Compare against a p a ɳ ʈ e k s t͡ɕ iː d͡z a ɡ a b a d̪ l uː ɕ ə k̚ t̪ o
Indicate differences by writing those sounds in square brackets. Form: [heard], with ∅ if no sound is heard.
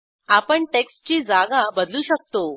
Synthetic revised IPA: a p [ə] ɳ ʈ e k s t͡ɕ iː d͡z a ɡ a b [ə] d̪ l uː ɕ ə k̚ t̪ o